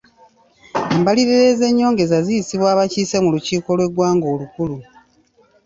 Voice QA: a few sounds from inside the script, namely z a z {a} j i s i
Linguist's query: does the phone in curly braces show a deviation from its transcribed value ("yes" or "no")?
yes